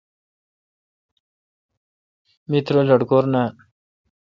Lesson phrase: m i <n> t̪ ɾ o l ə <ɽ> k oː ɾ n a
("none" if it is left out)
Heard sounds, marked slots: none, ɽ

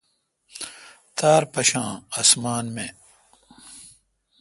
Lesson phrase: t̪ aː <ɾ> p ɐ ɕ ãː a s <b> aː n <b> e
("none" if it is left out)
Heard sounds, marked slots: ɾ, m, m

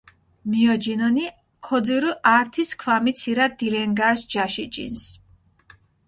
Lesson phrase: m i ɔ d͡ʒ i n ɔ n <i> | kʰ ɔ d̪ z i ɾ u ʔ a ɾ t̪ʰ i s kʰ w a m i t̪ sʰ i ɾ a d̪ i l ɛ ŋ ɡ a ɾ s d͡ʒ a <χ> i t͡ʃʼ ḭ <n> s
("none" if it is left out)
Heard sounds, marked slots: i, ʃ, n

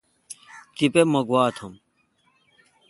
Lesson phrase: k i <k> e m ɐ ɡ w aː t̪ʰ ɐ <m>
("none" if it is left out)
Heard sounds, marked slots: p, m

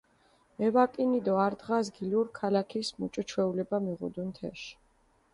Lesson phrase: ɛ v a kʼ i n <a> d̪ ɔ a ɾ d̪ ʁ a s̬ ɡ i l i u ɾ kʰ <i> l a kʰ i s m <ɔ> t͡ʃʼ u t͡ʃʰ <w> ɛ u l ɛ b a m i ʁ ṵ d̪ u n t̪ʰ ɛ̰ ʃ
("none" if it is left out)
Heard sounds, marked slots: i, a, u, w

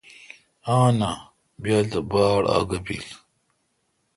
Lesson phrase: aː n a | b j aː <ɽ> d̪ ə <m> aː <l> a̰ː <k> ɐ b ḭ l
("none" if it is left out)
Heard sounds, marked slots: none, b, ɽ, ɡ

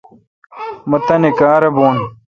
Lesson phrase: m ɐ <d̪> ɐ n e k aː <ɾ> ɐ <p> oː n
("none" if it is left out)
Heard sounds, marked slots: t̪, ɾ, b

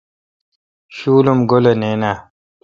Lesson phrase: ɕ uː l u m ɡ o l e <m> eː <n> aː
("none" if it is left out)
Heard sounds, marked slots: n, n

